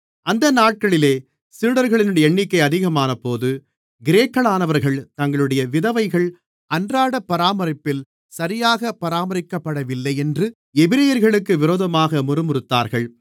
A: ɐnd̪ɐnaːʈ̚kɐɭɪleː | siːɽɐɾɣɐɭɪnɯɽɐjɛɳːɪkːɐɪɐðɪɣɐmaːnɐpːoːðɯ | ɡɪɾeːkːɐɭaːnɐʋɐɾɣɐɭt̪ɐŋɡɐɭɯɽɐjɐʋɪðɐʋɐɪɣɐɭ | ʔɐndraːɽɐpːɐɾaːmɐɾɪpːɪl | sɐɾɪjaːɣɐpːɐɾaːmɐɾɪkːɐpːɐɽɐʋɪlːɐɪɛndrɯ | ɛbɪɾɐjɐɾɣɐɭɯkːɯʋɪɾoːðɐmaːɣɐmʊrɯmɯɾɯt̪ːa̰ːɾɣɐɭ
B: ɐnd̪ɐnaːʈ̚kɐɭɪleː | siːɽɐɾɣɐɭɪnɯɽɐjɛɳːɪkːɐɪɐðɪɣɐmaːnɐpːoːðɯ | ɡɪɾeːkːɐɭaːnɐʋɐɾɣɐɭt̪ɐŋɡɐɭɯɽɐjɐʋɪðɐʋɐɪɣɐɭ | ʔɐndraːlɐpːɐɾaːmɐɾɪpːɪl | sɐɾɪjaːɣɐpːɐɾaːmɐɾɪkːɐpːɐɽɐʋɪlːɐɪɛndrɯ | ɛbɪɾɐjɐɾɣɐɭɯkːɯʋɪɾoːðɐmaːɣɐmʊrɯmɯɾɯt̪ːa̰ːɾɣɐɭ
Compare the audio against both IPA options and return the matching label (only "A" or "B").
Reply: A